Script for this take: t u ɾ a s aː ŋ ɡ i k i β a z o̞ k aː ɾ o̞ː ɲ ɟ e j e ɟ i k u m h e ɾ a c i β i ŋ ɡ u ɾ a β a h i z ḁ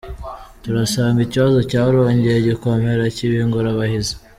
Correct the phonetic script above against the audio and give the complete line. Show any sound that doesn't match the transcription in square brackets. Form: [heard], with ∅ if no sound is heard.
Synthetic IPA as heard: t u ɾ a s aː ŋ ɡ i [c] i β a z o̞ [c] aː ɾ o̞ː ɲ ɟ e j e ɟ i k [o] m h e ɾ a c i β i ŋ ɡ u ɾ a β a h i z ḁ